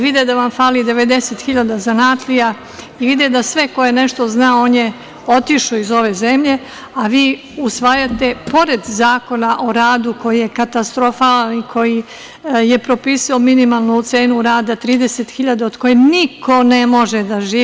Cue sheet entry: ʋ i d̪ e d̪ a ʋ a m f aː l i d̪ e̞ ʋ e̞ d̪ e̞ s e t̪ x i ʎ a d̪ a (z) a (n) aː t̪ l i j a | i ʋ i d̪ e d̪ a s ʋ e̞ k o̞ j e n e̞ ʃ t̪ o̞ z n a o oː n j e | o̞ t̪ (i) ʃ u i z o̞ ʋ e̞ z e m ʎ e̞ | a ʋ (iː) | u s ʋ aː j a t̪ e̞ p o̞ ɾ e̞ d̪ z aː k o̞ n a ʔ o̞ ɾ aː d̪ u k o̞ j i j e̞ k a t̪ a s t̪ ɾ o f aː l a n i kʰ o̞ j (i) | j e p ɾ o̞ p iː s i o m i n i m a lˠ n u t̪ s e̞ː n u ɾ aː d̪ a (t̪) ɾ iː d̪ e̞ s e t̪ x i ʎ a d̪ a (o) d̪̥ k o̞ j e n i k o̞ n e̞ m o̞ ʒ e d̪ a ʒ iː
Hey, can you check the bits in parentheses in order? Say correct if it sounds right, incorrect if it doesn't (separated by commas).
correct, correct, correct, correct, correct, correct, correct